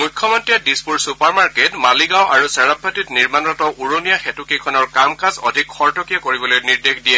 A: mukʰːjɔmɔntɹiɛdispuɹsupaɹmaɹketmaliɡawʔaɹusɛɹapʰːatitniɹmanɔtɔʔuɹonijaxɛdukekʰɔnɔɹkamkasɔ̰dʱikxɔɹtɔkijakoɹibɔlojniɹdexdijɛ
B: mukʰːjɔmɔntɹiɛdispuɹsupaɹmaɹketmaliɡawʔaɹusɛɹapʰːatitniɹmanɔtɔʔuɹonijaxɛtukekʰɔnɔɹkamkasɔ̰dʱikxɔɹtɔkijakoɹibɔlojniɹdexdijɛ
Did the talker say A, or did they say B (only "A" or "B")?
B